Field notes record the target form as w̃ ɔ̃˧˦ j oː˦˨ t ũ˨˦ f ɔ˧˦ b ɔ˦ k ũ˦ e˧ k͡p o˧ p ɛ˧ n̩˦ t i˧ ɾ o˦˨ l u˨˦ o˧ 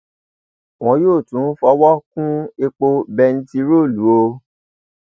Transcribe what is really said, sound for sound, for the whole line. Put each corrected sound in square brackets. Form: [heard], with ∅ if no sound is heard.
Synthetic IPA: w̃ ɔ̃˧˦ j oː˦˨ t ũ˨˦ f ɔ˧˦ [w] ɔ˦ k ũ˦ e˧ k͡p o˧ [b] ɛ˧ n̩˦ t i˧ ɾ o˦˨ l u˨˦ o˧